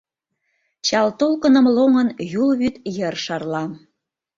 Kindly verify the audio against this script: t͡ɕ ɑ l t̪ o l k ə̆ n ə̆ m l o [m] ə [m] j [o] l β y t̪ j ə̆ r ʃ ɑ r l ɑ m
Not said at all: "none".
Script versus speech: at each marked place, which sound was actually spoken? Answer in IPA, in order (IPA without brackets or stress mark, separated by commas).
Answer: ŋ, n, u